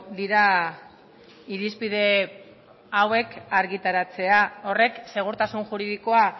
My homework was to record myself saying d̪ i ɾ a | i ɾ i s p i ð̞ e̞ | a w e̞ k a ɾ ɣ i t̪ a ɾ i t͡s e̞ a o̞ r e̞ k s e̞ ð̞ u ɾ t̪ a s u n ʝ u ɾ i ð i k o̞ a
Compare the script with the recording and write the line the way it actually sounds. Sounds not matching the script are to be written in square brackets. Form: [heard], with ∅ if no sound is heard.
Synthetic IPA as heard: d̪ i ɾ a | i ɾ i s p i ð̞ e̞ | a w e̞ k a ɾ ɣ i t̪ a ɾ [a] t͡s e̞ a o̞ r e̞ k s e̞ [ɣ̞] u ɾ t̪ a s u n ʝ u ɾ i ð i k o̞ a